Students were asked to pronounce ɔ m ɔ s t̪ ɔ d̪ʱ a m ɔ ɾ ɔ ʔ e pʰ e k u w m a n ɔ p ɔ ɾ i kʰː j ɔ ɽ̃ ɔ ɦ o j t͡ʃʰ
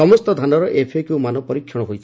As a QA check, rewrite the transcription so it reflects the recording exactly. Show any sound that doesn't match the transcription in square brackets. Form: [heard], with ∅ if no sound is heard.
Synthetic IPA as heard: ɔ m ɔ s t̪ ɔ d̪ʱ a [n] ɔ ɾ ɔ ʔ e pʰ e k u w m a n ɔ p ɔ ɾ i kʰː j ɔ ɽ̃ ɔ ɦ o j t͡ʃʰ